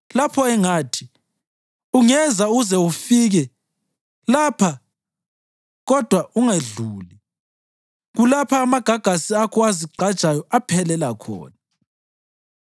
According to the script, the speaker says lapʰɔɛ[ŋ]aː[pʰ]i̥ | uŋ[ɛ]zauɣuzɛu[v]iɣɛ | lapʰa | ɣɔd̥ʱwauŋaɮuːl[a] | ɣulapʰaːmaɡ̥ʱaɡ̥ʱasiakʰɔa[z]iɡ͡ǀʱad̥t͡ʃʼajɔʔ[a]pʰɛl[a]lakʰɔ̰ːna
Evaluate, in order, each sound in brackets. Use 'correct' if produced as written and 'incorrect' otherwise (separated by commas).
correct, incorrect, correct, incorrect, incorrect, correct, correct, incorrect